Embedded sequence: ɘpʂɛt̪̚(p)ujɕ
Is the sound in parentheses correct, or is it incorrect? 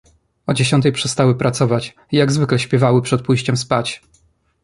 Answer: correct